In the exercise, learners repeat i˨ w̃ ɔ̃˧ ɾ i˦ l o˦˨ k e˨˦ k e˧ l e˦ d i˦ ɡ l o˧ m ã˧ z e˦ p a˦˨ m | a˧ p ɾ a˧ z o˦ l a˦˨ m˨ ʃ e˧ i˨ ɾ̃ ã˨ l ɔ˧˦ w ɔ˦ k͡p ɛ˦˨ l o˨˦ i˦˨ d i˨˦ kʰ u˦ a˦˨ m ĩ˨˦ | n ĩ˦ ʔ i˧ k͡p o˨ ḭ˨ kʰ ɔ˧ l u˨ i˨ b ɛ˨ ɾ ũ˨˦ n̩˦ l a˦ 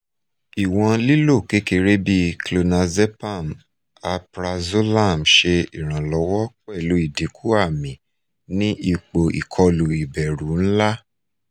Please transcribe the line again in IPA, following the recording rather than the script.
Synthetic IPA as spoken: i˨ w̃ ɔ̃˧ l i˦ l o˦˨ k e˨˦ k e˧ ɾ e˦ b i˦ k l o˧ n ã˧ z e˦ p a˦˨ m | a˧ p ɾ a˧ z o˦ l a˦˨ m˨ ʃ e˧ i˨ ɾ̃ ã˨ l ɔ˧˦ w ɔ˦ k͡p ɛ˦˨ l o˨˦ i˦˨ d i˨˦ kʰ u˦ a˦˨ m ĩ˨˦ | n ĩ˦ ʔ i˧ k͡p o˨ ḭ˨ kʰ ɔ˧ l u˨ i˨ b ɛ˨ ɾ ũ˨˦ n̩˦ l a˦